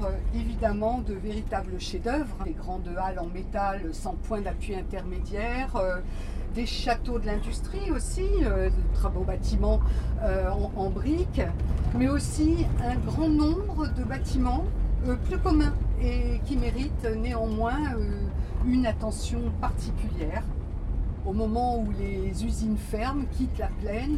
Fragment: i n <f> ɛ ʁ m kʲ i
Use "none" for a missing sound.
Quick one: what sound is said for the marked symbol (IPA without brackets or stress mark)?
f